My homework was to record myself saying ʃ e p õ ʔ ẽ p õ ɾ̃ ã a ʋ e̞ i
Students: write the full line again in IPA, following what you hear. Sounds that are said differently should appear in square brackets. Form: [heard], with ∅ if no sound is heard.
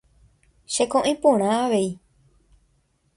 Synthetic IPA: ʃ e [k] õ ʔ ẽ p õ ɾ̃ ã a ʋ e̞ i